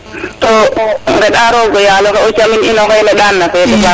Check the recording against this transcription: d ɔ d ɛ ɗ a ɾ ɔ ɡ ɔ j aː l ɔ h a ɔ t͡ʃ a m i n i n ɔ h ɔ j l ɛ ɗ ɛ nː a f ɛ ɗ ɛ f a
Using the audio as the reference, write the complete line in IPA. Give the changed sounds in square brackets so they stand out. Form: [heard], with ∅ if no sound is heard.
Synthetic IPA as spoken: [t] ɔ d ɛ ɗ a ɾ ɔ ɡ ɔ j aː l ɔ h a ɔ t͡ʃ a m i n i n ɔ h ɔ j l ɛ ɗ [a] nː a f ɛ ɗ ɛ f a